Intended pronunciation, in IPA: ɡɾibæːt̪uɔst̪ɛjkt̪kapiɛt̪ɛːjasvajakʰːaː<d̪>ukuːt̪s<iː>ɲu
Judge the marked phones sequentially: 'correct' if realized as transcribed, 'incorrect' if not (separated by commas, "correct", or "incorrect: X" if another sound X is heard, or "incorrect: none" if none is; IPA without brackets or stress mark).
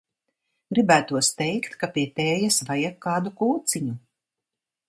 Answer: correct, incorrect: i